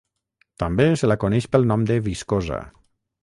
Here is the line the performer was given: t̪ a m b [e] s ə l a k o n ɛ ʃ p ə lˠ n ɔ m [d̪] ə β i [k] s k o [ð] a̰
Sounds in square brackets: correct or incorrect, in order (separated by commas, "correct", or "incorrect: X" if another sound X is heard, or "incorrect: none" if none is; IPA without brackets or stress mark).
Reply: correct, correct, incorrect: none, incorrect: z